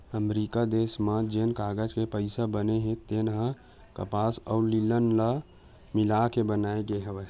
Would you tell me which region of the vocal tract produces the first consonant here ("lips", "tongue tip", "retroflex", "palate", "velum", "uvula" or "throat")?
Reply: lips